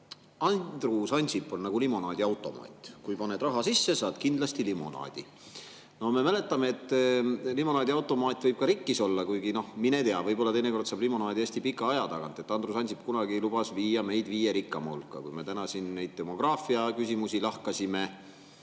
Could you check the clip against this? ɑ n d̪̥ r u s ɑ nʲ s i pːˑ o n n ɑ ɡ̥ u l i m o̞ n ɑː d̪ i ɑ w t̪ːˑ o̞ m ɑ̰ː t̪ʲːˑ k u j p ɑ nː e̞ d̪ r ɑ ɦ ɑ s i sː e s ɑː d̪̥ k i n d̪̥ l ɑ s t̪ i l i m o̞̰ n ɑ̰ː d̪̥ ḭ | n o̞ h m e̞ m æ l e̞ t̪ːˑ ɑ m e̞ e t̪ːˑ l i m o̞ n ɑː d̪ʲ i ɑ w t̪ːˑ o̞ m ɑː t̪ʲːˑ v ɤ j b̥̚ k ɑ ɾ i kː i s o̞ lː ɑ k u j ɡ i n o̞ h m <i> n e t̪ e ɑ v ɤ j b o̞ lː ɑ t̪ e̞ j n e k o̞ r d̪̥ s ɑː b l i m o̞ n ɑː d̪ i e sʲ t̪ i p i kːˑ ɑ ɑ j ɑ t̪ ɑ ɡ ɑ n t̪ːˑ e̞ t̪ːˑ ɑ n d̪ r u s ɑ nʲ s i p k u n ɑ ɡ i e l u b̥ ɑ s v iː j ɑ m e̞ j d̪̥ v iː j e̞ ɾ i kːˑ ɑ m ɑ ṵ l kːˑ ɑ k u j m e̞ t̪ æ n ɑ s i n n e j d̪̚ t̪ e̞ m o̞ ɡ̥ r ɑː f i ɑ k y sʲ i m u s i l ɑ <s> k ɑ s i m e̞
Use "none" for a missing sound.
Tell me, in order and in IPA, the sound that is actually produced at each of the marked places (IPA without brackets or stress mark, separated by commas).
i, h